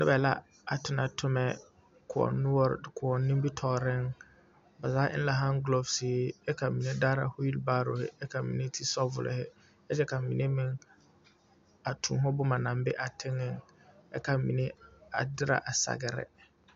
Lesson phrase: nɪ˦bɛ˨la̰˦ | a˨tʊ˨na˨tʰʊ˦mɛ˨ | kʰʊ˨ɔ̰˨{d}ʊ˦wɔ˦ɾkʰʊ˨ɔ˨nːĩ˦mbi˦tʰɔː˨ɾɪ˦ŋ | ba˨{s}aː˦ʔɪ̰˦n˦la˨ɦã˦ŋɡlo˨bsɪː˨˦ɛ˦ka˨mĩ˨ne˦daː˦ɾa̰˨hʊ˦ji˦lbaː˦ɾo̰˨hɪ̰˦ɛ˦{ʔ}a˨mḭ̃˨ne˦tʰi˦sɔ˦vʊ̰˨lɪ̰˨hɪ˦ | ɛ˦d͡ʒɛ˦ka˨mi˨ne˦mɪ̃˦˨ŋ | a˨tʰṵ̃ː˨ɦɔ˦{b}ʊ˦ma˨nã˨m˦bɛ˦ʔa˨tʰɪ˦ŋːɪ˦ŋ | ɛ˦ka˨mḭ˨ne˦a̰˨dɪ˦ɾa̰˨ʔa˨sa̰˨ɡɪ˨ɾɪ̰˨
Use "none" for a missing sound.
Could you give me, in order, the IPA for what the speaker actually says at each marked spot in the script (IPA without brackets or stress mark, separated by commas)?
n, z, k, b